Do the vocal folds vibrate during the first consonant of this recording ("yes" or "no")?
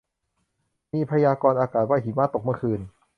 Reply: yes